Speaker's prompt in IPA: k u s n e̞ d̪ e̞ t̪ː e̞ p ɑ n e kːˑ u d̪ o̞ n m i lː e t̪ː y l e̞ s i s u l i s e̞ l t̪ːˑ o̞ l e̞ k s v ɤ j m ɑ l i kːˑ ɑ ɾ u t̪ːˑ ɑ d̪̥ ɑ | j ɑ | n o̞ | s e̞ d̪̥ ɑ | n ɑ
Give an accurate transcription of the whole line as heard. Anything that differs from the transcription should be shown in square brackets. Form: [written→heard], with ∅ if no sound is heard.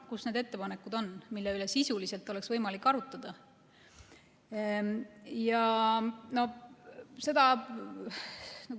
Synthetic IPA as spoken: k u s n e̞ d̪ e̞ t̪ː e̞ p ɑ n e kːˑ u d̪ o̞ n m i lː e [t̪ː→∅] y l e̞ s i s u l i s e̞ l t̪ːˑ o̞ l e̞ k s v ɤ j m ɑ l i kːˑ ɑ ɾ u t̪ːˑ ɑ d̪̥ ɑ | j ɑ | n o̞ | s e̞ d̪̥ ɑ | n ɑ

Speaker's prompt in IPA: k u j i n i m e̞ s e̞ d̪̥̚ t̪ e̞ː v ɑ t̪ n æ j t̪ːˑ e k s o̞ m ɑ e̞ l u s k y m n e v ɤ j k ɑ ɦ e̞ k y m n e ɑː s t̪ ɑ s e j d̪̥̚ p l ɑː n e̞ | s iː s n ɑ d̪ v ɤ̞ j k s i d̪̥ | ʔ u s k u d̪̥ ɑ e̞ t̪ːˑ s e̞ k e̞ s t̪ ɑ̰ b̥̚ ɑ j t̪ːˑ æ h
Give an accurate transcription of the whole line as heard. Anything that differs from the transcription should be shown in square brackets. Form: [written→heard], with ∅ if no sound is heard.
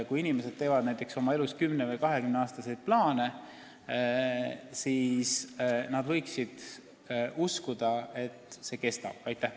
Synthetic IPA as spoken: k u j i n i m e̞ s e̞ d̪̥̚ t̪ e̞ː v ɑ [t̪→d̪] n æ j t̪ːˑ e k s o̞ m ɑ e̞ l u s k y m n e v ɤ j k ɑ ɦ e̞ k y m n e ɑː s t̪ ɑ s e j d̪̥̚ p l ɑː n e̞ | s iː s n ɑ d̪ v ɤ̞ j k s i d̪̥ | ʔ u s k u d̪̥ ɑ e̞ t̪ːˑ s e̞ k e̞ s t̪ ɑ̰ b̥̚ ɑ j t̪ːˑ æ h

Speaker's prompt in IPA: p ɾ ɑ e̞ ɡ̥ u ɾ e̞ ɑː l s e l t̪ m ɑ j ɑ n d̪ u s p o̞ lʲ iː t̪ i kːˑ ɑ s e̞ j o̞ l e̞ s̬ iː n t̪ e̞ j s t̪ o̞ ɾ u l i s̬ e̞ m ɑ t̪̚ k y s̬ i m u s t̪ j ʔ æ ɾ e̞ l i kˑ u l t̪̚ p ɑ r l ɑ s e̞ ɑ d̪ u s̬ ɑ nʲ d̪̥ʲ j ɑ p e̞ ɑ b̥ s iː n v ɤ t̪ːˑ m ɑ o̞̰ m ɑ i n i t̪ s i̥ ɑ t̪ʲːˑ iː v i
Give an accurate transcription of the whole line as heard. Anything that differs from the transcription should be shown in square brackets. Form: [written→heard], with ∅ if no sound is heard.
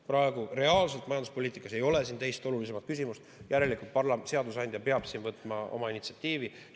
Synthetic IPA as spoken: p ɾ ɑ e̞ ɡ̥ u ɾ e̞ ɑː l s e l t̪ m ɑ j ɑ n d̪ u s p o̞ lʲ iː t̪ i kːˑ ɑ s e̞ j o̞ l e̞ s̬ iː n t̪ e̞ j s t̪ o̞ [ɾ→l] u l i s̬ e̞ m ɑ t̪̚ k y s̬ i m u s t̪ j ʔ æ ɾ e̞ l i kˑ u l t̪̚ p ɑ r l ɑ s e̞ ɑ d̪ u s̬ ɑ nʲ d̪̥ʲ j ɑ p e̞ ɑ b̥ s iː n v ɤ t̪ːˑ m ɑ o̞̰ m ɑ i n i t̪ s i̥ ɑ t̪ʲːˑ iː v i

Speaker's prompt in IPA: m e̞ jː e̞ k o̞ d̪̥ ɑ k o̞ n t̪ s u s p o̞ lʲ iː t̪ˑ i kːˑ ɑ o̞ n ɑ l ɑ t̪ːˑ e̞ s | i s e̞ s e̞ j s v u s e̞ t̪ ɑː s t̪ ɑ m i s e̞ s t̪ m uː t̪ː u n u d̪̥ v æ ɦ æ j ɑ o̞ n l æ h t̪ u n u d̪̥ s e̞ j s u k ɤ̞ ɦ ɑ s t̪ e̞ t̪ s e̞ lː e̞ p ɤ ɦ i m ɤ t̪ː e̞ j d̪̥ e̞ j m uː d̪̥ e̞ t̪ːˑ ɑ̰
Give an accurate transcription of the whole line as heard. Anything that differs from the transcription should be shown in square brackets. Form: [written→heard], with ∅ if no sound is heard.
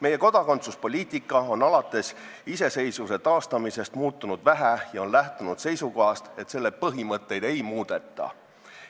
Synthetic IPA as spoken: m e̞ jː e̞ k o̞ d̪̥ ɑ k o̞ n t̪ s u s p o̞ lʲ iː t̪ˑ i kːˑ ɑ o̞ n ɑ l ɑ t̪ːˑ e̞ s | i s e̞ s e̞ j s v u s e̞ t̪ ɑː s t̪ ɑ m i s e̞ s t̪ m uː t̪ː u n u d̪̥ v æ ɦ æ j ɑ o̞ n l æ h t̪ u n u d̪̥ s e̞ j s u k [ɤ̞→o̞] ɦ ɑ s t̪ e̞ t̪ s e̞ lː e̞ p ɤ ɦ i m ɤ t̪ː e̞ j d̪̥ e̞ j m uː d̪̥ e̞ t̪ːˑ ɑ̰

